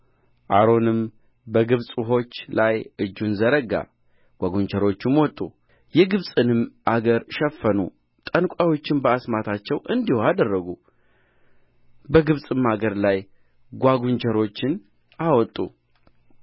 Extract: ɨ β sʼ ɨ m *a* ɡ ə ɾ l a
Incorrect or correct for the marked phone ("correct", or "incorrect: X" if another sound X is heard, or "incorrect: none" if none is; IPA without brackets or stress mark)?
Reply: correct